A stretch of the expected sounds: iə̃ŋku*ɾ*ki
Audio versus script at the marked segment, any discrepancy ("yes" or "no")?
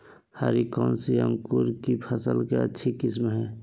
no